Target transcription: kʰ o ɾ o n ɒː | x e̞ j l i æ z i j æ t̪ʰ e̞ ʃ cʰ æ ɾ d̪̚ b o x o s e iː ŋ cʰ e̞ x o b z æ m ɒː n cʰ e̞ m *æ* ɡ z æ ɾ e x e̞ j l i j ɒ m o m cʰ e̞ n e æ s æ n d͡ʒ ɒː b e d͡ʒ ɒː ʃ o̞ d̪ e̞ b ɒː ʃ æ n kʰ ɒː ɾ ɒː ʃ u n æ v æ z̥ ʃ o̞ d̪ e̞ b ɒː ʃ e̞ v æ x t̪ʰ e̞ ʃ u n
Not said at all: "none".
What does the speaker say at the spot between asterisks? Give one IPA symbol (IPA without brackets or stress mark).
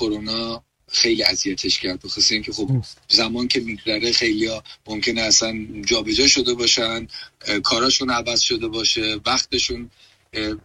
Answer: i